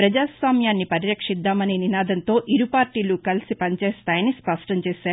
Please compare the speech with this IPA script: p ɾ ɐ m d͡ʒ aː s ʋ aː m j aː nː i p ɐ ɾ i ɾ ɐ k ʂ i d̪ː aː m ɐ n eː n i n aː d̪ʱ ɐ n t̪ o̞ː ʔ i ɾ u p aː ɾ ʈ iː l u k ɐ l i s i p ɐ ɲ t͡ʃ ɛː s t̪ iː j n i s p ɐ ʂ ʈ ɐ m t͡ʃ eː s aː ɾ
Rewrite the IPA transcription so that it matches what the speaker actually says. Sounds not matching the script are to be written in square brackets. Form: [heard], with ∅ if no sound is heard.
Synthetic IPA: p ɾ ɐ [∅] d͡ʒ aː s ʋ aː m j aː nː i p ɐ ɾ i ɾ ɐ k ʂ i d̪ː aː m ɐ n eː n i n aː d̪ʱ ɐ n t̪ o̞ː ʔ i ɾ u p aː ɾ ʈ iː l u k ɐ l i s i p ɐ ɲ t͡ʃ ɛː s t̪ [aː] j n i s p ɐ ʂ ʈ ɐ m t͡ʃ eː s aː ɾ

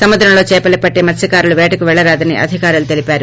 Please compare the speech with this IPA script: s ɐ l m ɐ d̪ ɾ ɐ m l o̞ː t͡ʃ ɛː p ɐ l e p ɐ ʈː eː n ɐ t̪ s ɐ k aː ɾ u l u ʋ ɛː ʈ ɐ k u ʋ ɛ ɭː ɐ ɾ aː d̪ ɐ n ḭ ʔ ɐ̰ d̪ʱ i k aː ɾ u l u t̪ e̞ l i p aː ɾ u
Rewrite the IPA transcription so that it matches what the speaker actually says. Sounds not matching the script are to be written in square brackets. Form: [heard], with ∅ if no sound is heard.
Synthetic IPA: s ɐ [∅] m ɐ d̪ ɾ ɐ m l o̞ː t͡ʃ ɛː p ɐ l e p ɐ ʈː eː [m] ɐ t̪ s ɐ k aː ɾ u l u ʋ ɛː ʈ ɐ k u ʋ ɛ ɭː ɐ ɾ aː d̪ ɐ n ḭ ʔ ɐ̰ d̪ʱ i k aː ɾ u l u t̪ e̞ l i p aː ɾ u

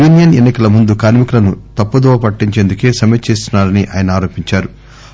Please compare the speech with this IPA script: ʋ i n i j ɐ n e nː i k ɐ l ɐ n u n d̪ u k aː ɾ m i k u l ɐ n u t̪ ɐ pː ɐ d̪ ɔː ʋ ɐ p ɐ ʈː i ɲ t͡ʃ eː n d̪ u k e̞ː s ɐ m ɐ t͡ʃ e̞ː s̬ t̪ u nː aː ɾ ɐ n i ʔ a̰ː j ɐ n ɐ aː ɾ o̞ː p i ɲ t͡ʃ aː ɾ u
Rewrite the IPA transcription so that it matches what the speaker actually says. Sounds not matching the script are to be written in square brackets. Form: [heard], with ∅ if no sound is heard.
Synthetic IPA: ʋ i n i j ɐ n e nː i k ɐ l ɐ [m] u n d̪ u k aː ɾ m i k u l ɐ n u t̪ ɐ pː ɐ d̪ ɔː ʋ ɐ p ɐ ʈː i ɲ t͡ʃ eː n d̪ u k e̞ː s ɐ m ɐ t͡ʃ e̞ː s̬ t̪ u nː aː ɾ ɐ n i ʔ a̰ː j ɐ n ɐ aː ɾ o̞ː p i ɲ t͡ʃ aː ɾ u

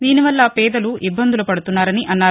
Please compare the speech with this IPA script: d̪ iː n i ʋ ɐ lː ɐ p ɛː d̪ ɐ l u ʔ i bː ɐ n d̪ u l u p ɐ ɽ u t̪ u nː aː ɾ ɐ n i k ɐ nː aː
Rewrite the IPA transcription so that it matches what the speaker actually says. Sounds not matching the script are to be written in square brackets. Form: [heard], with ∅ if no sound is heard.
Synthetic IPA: d̪ iː n i ʋ ɐ lː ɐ p ɛː d̪ ɐ l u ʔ i bː ɐ n d̪ u l u p ɐ ɽ u t̪ u nː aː ɾ ɐ n i [ʔ] ɐ nː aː

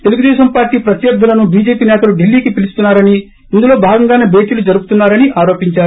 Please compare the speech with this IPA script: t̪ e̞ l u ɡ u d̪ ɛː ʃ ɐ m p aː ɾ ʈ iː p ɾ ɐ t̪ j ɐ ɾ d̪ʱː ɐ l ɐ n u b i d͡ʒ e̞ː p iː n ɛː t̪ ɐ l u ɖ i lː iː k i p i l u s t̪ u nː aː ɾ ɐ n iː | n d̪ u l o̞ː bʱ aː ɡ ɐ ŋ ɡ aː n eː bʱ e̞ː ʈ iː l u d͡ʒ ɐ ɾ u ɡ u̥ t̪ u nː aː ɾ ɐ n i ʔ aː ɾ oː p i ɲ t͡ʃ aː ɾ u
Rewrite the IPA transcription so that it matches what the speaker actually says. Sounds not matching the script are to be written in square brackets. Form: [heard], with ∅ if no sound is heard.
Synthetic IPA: t̪ e̞ l u ɡ u d̪ ɛː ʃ ɐ m p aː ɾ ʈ iː p ɾ ɐ t̪ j ɐ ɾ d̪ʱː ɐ l ɐ n u b [iː] d͡ʒ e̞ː p iː n ɛː t̪ ɐ l u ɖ i lː iː k i p i l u s t̪ u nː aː ɾ ɐ n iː | n d̪ u l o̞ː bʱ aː ɡ ɐ ŋ ɡ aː n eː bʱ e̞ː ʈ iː l u d͡ʒ ɐ ɾ u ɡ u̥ t̪ u nː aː ɾ ɐ n i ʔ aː ɾ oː p i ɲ t͡ʃ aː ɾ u

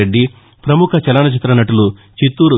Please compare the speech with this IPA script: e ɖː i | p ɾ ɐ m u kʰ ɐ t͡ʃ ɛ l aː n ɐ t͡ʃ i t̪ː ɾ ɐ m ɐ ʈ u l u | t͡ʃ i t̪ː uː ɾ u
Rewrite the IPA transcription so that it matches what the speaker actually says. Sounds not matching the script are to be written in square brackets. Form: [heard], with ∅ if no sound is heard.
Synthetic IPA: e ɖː i | p ɾ ɐ m u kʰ ɐ t͡ʃ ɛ l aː n ɐ t͡ʃ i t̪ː ɾ ɐ [n] ɐ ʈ u l u | t͡ʃ i t̪ː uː ɾ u

